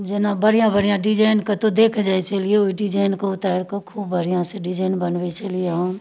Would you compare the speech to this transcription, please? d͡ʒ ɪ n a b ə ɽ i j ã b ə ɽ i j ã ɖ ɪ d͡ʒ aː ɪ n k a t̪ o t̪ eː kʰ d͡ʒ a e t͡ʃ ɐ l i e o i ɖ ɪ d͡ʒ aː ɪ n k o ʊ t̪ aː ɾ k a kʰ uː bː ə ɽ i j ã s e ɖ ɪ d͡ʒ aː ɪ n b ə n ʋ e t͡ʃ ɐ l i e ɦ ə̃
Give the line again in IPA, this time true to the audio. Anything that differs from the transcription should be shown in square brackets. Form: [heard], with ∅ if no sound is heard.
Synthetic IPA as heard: d͡ʒ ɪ n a b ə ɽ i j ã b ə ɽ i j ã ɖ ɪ d͡ʒ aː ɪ n k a t̪ o [d̪] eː kʰ d͡ʒ a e t͡ʃ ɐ l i e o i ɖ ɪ d͡ʒ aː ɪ n k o ʊ t̪ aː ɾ k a kʰ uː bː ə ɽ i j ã s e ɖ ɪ d͡ʒ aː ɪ n b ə n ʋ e t͡ʃ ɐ l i e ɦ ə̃